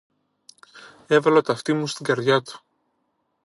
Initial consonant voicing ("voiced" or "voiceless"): voiced